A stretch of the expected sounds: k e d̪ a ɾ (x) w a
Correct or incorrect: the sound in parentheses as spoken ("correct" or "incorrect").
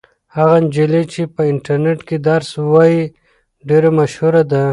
incorrect